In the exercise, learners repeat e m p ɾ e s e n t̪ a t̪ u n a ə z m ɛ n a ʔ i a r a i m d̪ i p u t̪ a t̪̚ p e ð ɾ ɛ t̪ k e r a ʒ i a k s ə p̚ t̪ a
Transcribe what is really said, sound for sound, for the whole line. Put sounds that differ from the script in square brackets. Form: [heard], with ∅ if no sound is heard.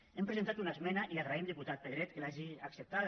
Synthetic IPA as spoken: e m p ɾ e [z] e n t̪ a t̪ u n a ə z m ɛ n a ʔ i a r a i m d̪ i p u t̪ a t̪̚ p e ð ɾ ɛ t̪ k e [l] a ʒ i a k s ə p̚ t̪ a